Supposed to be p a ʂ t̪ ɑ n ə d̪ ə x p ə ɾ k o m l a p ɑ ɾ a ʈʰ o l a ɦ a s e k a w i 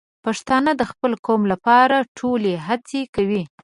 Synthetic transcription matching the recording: p a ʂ t̪ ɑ n ə d̪ ə x p ə l k o m l a p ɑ ɾ a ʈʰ o l e ɦ a t͡s e k a w i